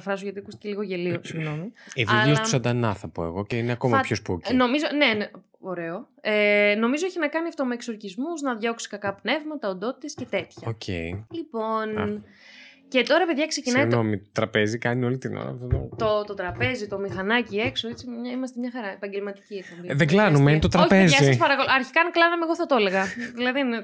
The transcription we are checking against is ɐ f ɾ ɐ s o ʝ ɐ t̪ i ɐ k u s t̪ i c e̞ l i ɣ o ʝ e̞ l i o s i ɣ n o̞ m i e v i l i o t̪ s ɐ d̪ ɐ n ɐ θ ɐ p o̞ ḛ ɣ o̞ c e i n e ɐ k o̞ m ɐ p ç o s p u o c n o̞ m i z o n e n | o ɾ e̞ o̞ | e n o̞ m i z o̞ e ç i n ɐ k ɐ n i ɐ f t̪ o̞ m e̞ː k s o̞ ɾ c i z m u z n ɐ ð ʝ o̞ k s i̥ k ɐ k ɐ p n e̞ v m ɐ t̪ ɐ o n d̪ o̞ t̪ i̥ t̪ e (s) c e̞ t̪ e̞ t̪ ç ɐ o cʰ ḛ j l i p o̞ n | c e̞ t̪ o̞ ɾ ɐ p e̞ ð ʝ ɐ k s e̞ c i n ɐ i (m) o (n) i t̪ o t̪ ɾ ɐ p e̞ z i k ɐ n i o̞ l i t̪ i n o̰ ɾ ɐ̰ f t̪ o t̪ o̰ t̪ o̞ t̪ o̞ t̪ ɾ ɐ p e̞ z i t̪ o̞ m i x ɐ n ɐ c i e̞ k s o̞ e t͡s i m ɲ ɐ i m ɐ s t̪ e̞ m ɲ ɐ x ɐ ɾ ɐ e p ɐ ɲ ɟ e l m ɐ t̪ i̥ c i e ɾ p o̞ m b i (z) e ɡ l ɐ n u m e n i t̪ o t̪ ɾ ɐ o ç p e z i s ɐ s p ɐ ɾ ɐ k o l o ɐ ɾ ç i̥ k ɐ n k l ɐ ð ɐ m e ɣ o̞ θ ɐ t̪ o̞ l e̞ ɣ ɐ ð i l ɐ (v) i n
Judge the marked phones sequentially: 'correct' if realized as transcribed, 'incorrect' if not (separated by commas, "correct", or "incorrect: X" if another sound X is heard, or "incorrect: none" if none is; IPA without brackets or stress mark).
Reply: correct, incorrect: n, incorrect: m, incorrect: ð, incorrect: ð